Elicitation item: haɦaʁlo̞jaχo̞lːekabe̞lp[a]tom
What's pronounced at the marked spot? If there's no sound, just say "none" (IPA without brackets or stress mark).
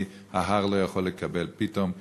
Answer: i